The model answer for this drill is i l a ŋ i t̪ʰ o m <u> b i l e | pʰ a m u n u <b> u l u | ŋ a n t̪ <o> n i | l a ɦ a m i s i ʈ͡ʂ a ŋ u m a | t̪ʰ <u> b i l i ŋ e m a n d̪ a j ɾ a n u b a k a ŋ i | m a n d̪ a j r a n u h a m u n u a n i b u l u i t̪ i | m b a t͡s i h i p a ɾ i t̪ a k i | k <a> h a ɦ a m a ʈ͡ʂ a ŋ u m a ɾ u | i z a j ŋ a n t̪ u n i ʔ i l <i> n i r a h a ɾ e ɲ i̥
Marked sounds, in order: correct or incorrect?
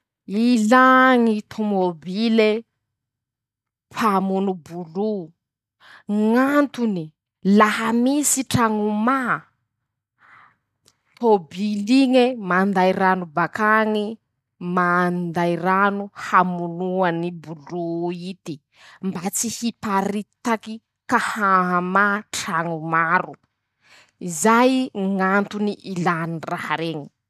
incorrect, correct, incorrect, incorrect, correct, incorrect

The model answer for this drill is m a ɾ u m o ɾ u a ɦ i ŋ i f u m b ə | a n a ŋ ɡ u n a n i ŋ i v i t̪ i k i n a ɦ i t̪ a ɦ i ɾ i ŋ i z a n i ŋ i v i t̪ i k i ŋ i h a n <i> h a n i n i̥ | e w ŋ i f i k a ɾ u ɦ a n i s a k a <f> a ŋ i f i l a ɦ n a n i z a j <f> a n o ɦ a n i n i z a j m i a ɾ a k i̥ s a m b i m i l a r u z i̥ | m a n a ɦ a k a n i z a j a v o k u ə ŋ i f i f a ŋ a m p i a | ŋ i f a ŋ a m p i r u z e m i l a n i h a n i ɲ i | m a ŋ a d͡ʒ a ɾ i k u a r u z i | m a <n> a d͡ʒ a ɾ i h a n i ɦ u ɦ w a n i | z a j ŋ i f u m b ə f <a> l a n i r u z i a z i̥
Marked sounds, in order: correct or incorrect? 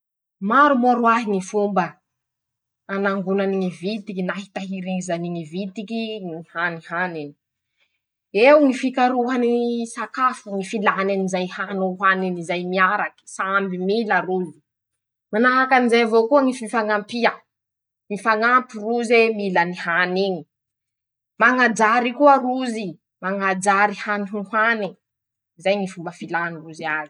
correct, correct, incorrect, incorrect, incorrect

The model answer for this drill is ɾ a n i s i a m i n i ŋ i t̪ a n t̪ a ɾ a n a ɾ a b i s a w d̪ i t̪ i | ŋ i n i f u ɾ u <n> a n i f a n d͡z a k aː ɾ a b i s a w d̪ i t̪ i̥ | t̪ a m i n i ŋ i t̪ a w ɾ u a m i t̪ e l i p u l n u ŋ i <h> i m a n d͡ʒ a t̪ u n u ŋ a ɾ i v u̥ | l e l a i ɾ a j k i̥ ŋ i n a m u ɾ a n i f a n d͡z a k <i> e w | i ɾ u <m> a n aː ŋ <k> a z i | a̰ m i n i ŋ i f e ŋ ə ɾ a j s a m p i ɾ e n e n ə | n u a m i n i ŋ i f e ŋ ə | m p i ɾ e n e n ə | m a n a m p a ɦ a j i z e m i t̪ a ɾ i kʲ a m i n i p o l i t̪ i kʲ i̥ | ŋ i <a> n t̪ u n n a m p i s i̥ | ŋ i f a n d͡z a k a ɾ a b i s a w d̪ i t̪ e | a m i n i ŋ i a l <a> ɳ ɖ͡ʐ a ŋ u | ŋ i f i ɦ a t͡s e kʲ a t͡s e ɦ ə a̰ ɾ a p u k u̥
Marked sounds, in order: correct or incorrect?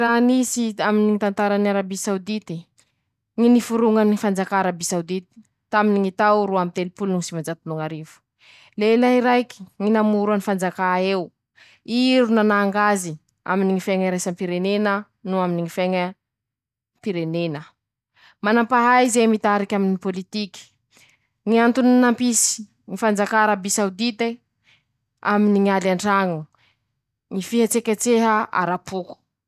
incorrect, incorrect, incorrect, incorrect, incorrect, correct, correct

